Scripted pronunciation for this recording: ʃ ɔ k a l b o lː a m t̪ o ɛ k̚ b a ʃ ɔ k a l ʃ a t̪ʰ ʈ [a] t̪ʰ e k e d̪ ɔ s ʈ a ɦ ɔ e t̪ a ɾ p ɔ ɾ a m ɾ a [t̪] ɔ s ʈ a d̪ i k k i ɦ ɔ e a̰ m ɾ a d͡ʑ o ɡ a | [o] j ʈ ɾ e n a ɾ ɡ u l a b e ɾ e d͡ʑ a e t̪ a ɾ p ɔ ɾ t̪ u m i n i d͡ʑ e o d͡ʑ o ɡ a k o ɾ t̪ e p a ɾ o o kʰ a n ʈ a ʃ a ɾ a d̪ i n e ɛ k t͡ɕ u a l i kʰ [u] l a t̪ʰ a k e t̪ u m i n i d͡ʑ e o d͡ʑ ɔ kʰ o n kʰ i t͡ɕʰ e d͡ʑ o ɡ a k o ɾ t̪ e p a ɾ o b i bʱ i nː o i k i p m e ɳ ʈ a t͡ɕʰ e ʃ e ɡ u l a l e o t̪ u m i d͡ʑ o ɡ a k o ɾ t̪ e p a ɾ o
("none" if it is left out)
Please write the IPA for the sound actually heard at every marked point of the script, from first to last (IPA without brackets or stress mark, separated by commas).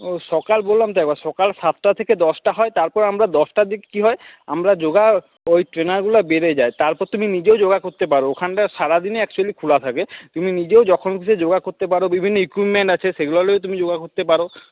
a, d̪, o, u